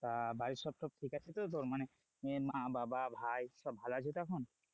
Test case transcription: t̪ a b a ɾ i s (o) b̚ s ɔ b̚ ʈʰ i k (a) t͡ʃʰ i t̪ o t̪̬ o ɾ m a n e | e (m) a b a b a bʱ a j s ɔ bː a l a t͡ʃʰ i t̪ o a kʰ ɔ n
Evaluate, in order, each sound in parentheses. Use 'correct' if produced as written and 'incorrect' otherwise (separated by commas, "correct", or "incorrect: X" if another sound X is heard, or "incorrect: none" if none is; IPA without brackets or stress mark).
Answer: incorrect: ɔ, correct, correct